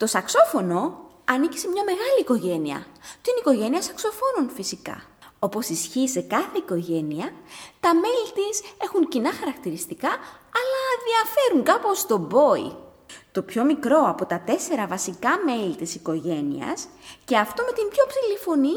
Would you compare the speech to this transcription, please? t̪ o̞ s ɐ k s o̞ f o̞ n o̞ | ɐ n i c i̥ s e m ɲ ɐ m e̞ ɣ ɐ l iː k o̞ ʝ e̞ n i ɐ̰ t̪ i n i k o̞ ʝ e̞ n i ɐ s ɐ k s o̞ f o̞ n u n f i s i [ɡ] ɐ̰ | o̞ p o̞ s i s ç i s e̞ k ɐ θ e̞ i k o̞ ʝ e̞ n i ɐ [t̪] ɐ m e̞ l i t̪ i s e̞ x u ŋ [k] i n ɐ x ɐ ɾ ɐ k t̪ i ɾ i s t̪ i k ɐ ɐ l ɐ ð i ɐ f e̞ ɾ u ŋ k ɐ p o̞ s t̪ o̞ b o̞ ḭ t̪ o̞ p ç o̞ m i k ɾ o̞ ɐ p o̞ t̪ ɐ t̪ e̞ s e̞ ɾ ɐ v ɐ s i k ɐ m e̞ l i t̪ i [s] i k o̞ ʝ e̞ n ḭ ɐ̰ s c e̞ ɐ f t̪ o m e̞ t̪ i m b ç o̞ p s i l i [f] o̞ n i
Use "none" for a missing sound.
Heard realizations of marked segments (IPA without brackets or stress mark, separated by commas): k, t̪, c, s, f